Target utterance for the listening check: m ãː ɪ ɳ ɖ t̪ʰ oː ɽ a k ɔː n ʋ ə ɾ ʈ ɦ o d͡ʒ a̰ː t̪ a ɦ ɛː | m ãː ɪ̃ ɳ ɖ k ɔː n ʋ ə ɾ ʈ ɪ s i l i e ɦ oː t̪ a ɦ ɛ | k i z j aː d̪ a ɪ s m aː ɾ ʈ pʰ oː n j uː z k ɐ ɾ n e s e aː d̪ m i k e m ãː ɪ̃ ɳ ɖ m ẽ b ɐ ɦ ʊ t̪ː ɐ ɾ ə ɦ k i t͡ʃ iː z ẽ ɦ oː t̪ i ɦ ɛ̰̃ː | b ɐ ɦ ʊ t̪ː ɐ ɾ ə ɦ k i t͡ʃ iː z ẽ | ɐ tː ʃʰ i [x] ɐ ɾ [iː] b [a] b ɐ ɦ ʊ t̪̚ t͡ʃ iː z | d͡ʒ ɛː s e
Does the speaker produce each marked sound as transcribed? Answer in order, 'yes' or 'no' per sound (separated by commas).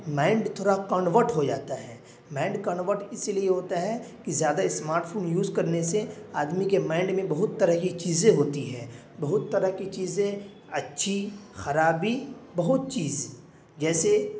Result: yes, no, no